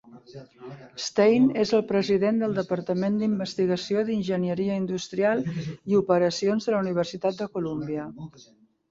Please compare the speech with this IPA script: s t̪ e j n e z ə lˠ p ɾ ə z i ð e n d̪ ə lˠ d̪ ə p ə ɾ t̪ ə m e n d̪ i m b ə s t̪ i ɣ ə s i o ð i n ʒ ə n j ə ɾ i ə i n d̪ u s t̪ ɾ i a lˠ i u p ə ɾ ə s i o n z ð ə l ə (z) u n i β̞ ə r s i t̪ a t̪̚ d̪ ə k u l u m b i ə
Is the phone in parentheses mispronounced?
yes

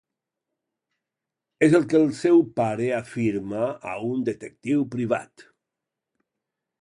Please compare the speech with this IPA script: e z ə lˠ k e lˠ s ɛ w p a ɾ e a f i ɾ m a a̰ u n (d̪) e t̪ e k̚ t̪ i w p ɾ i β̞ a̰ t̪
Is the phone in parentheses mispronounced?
no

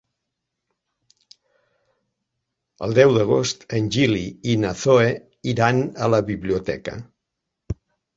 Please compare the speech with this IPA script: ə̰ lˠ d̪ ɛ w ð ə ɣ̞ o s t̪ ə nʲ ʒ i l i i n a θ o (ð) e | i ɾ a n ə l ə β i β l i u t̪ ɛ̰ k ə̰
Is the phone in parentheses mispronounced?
yes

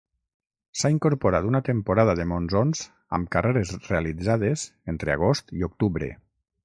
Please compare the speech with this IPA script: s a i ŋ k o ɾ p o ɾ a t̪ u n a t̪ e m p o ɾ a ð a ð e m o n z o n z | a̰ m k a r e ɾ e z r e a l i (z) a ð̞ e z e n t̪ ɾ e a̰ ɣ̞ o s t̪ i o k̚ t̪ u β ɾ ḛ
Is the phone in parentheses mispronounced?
yes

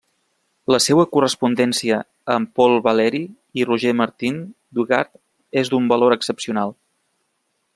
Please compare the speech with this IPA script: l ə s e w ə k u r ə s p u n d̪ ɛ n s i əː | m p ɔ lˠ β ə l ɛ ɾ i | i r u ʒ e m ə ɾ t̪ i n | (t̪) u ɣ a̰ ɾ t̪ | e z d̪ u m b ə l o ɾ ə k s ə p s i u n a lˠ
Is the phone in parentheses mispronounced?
yes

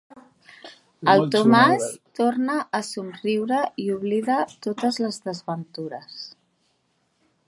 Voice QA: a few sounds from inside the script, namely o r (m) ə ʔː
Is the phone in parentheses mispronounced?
yes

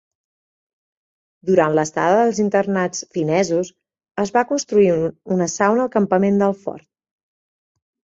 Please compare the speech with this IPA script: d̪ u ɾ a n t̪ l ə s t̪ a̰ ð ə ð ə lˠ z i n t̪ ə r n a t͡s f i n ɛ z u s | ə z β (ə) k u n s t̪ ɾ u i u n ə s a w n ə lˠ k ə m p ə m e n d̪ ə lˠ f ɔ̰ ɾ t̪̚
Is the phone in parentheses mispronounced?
yes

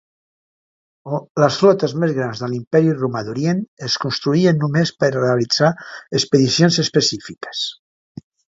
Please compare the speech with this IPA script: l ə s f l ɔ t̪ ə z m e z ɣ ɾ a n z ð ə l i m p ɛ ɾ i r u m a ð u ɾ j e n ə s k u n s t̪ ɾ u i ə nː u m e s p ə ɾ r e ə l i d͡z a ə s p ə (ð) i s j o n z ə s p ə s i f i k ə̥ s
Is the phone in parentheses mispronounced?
no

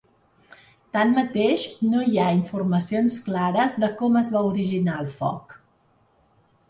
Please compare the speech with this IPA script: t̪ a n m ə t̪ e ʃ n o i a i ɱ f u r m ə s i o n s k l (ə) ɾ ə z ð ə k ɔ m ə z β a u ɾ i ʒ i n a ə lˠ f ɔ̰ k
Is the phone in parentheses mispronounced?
yes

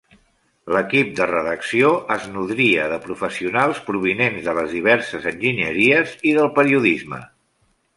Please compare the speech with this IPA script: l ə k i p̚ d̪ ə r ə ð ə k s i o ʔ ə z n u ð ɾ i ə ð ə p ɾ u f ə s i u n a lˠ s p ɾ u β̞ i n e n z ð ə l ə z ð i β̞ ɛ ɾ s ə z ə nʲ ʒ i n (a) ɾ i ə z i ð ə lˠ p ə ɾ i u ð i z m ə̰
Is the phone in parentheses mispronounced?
yes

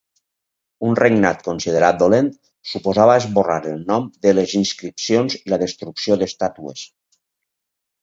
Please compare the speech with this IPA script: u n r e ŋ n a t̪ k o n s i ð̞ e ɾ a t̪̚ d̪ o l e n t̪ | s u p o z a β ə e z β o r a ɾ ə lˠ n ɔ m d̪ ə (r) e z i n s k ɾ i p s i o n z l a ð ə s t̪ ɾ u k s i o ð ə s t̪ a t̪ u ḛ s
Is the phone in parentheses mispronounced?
yes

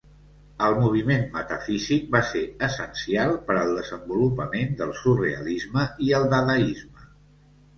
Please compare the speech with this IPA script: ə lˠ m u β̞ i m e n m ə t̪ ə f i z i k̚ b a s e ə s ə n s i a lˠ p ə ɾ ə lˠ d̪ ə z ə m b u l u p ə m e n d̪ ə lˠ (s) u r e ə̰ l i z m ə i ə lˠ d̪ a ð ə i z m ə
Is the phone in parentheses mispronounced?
no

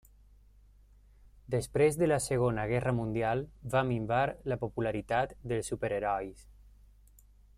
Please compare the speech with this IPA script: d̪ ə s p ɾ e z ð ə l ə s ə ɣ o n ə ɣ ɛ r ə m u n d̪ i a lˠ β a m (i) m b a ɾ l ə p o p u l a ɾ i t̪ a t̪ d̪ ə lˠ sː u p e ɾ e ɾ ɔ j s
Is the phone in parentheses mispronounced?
no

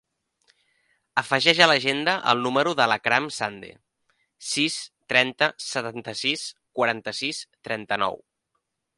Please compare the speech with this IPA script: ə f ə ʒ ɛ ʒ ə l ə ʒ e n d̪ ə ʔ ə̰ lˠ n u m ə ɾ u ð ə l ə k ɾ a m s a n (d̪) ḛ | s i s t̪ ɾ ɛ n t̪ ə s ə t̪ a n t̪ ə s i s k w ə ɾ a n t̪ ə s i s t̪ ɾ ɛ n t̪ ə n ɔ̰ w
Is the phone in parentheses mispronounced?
no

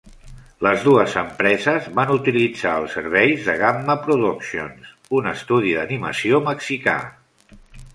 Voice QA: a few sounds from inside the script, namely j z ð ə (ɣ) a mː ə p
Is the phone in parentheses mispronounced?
no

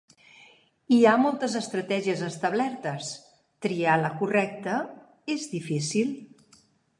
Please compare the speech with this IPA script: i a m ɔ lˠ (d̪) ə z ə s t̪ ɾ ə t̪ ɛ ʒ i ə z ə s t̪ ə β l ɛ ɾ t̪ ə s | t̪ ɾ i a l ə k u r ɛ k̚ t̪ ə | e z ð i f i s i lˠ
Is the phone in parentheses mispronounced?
yes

